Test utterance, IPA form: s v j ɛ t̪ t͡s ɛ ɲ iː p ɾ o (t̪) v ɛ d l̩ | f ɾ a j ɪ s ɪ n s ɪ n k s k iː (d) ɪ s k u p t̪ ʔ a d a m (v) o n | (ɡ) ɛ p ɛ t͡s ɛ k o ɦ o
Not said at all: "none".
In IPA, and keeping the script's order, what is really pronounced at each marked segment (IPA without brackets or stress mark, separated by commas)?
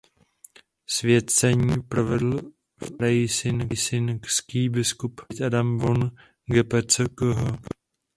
none, b, v, ɡ